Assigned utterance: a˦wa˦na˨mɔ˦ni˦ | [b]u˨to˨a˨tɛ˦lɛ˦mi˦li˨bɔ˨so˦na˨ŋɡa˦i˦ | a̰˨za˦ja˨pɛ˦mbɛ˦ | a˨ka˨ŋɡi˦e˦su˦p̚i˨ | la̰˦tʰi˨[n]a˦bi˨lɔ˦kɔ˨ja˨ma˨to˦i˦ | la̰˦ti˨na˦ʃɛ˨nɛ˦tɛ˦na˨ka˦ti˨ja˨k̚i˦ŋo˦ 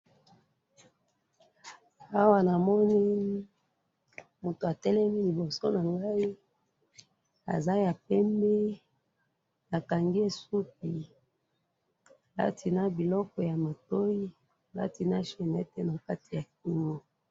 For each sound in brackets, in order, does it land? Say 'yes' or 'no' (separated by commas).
no, yes